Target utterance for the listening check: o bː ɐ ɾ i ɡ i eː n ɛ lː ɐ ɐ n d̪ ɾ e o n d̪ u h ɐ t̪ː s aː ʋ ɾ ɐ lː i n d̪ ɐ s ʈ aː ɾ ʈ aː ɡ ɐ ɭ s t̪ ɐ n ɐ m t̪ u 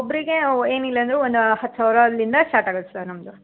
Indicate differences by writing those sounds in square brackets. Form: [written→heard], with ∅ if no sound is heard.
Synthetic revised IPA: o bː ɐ ɾ i ɡ [i→e] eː n [ɛ→i] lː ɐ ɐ n d̪ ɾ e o n d̪ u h ɐ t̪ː s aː ʋ ɾ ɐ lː i n d̪ ɐ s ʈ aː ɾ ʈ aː ɡ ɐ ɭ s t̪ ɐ n ɐ m [t̪→d̪] u